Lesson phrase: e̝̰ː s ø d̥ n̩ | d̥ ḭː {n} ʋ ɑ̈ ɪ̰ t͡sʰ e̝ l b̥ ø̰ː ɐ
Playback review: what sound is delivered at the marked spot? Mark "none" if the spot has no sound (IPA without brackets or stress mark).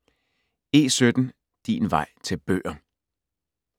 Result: n